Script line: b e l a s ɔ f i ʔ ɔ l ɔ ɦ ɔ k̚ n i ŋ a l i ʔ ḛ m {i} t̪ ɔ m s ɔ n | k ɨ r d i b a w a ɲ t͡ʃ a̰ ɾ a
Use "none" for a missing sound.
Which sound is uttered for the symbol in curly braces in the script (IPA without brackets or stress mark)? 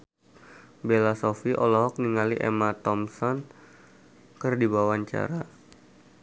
a